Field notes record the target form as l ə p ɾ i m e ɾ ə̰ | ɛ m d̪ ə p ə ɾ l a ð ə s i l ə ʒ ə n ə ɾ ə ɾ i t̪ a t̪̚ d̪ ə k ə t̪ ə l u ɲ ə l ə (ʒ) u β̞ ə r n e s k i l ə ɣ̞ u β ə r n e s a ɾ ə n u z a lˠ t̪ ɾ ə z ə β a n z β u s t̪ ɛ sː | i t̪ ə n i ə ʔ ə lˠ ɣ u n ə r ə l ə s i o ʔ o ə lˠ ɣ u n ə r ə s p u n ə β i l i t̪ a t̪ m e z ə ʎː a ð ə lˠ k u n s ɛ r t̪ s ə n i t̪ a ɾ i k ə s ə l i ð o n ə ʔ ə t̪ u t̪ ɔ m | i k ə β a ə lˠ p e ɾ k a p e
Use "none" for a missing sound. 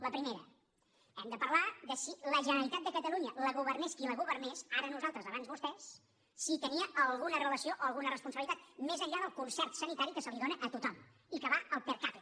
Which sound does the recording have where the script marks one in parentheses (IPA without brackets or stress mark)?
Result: ɣ